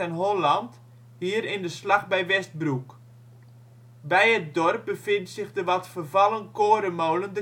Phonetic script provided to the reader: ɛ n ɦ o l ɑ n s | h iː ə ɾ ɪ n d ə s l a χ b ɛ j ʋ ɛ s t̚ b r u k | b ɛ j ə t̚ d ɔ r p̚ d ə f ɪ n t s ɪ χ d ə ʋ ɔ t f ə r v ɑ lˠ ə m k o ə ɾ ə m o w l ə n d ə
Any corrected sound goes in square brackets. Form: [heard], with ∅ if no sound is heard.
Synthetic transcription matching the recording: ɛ n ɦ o l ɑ n [t] | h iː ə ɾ ɪ n d ə s l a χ b ɛ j ʋ ɛ s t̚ b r u k | b ɛ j ə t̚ d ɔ r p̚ [b] ə f ɪ n t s ɪ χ d ə ʋ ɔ t f ə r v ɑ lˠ ə [n] k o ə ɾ ə m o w l ə n d ə